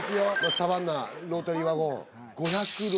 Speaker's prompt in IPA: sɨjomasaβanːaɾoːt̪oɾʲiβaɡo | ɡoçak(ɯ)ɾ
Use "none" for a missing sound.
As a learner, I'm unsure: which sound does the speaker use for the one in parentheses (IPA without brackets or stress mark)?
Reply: ɯ